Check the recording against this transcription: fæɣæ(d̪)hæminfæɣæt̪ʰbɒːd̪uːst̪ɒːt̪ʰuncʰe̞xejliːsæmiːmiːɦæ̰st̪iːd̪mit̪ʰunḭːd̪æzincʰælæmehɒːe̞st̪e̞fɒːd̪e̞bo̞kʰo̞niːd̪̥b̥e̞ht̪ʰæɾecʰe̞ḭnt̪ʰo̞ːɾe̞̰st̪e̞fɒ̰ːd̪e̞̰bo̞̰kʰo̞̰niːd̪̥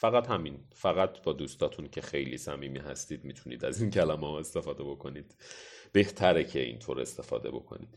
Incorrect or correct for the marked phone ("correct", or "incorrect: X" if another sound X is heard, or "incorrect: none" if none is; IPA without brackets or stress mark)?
incorrect: t̪